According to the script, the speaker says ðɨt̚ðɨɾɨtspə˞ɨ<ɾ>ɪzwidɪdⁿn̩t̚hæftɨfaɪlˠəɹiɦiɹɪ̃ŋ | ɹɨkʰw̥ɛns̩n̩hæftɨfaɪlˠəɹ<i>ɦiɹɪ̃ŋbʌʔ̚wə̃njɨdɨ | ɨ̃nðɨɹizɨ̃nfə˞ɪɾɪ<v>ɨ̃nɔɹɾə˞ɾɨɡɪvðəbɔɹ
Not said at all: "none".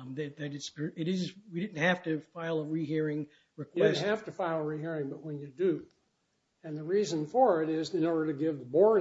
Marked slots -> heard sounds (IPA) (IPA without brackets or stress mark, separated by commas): ɾ, i, z